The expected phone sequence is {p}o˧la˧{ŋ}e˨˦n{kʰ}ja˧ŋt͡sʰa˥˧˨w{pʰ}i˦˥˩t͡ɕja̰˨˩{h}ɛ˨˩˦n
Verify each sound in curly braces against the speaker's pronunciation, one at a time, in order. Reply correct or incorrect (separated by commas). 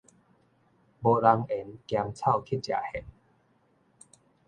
incorrect, correct, incorrect, incorrect, correct